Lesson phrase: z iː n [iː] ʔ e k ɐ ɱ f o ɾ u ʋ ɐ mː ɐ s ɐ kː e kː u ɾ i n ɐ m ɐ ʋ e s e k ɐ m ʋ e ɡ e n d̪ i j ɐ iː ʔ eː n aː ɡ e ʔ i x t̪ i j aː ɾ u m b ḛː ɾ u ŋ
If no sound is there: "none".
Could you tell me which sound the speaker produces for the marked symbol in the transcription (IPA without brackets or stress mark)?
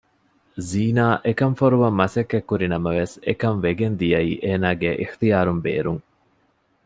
aː